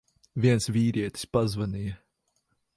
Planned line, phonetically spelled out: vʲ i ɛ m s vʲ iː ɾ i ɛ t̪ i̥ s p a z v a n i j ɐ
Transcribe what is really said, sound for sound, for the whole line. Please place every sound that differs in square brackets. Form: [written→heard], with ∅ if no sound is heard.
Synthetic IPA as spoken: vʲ i ɛ [m→n] s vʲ iː ɾ i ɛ t̪ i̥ s p a z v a n i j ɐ